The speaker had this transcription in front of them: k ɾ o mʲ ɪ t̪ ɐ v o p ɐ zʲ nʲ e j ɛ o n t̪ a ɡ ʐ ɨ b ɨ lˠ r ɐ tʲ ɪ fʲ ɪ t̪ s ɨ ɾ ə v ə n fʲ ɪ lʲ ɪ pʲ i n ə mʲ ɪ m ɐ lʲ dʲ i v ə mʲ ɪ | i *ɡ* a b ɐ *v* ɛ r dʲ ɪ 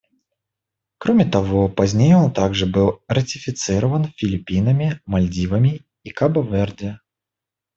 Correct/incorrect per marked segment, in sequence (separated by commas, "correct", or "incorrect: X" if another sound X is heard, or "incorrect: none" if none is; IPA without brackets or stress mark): incorrect: k, correct